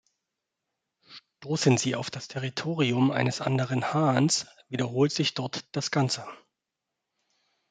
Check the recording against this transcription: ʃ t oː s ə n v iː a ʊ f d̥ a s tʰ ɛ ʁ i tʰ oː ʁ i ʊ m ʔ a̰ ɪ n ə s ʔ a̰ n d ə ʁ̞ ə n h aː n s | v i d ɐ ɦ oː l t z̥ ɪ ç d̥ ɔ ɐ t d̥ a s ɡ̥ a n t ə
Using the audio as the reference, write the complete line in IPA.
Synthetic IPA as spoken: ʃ t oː s ə n z iː a ʊ f d̥ a s tʰ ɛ ʁ i tʰ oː ʁ i ʊ m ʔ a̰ ɪ n ə s ʔ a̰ n d ə ʁ̞ ə n h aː n s | v i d ɐ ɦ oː l t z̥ ɪ ç d̥ ɔ ɐ t d̥ a s ɡ̥ a n t͡s ə

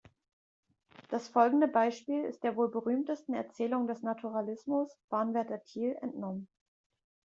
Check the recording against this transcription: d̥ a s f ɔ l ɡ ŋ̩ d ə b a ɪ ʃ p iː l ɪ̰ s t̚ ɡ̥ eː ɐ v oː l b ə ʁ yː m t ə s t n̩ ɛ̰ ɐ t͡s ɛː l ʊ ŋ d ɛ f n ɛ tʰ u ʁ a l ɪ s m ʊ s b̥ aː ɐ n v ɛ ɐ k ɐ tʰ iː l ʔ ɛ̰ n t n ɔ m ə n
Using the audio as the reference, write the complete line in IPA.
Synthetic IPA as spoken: d̥ a s f ɔ l ɡ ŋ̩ d ə b a ɪ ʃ p iː l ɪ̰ s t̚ d̥ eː ɐ v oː l b ə ʁ yː m t ə s t n̩ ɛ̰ ɐ t͡s ɛː l ʊ ŋ d ɛ s n a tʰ u ʁ a l ɪ s m ʊ s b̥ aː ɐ n v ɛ ɐ t ɐ tʰ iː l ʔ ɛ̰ n t n ɔ m ə n

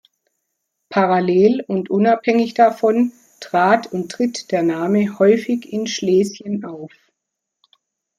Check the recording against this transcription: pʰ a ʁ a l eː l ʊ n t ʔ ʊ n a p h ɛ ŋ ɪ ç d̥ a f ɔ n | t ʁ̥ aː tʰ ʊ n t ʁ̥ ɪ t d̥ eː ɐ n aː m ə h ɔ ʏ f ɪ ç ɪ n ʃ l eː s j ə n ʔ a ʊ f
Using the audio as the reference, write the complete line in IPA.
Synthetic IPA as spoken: pʰ a ʁ a l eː l ʊ n t ʔ ʊ n a p h ɛ ŋ ɪ ç d̥ a f ɔ n | t ʁ̥ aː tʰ ʊ n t ʁ̥ ɪ t d̥ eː ɐ n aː m ə h ɔ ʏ f ɪ ç ɪ n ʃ l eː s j ə n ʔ a ʊ f

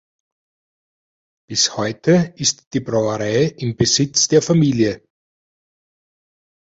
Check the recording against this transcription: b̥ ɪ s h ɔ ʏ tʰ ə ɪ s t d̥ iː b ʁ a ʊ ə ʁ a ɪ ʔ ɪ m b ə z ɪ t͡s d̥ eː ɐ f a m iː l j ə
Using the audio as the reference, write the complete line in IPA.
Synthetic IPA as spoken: b̥ ɪ s h ɔ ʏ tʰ ə ɪ s t d̥ iː b ʁ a ʊ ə ʁ a ɪ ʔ ɪ m b ə z ɪ t͡s d̥ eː ɐ f a m iː l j ə

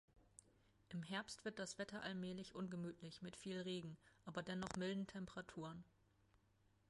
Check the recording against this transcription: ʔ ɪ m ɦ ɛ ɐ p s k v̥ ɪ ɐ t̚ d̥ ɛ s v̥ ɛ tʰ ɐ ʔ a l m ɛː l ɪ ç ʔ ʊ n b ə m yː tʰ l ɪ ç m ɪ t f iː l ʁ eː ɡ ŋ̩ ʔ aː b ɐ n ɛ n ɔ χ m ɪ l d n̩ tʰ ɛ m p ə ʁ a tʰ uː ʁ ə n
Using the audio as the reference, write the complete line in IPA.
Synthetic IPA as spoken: ʔ ɪ m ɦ ɛ ɐ p s t v̥ ɪ ɐ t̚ d̥ a s v̥ ɛ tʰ ɐ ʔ a l m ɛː l ɪ ç ʔ ʊ n ɡ ə m yː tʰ l ɪ ç m ɪ t f iː l ʁ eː ɡ ŋ̩ ʔ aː b ɐ d ɛ n ɔ χ m ɪ l d n̩ tʰ ɛ m p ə ʁ a tʰ uː ʁ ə n

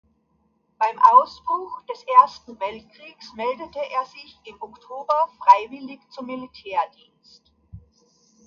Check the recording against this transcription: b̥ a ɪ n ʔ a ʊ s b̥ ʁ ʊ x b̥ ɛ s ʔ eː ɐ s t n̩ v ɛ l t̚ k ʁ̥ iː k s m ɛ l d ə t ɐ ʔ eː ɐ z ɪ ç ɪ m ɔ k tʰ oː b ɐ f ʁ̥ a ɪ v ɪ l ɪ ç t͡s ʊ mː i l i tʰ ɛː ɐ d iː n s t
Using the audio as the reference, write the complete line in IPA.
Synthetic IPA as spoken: b̥ a ɪ m ʔ a ʊ s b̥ ʁ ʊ x d̥ ɛ s ʔ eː ɐ s t n̩ v ɛ l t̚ k ʁ̥ iː k s m ɛ l d ə t ə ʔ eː ɐ z ɪ ç ɪ m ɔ k tʰ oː b ɐ f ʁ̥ a ɪ v ɪ l ɪ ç t͡s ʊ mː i l i tʰ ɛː ɐ d iː n s t

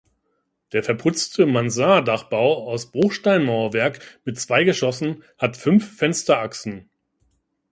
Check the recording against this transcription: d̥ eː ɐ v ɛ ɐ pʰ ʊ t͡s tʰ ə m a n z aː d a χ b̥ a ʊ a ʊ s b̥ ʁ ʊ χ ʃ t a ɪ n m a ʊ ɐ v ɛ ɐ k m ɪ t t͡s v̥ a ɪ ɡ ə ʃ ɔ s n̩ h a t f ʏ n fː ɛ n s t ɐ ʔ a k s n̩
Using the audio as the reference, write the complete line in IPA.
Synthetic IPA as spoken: d̥ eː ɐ f ɛ ɐ pʰ ʊ t͡s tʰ ə m a n z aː d a χ b̥ a ʊ a ʊ s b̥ ʁ ʊ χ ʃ t a ɪ n m a ʊ ɐ v ɛ ɐ k m ɪ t t͡s v̥ a ɪ ɡ ə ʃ ɔ s n̩ h a t f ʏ n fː ɛ n s t ɐ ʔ a k s n̩

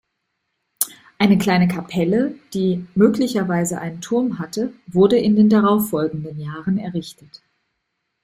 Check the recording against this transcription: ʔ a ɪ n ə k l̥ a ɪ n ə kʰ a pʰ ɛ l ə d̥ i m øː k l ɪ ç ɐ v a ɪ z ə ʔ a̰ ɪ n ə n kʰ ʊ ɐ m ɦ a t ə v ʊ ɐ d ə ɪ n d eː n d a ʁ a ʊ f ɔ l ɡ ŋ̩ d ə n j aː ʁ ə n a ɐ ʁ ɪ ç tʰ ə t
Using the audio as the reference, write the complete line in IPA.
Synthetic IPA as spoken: ʔ a ɪ n ə k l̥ a ɪ n ə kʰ a pʰ ɛ l ə d̥ iː m øː k l ɪ ç ɐ v a ɪ z ə ʔ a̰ ɪ n ə n tʰ ʊ ɐ m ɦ a t ə v ʊ ɐ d ə ɪ n d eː n d a ʁ a ʊ f ɔ l ɡ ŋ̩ d ə n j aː ʁ ə n ɛ ɐ ʁ ɪ ç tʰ ə t

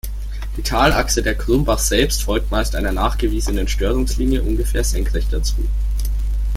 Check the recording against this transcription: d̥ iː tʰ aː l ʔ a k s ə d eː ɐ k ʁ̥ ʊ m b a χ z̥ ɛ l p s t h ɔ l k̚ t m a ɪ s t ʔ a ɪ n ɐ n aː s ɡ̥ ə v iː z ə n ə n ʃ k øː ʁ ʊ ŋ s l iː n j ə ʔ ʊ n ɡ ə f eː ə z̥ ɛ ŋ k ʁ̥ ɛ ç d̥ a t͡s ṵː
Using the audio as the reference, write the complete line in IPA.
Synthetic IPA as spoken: d̥ iː tʰ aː l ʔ a k s ə d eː ɐ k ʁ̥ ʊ m b a χ z̥ ɛ l p s t f ɔ l k̚ t m a ɪ s t ʔ a ɪ n ɐ n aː χ ɡ̥ ə v iː z ə n ə n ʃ t øː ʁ ʊ ŋ s l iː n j ə ʔ ʊ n ɡ ə f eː ɐ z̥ ɛ ŋ k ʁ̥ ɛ ç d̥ a t͡s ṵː

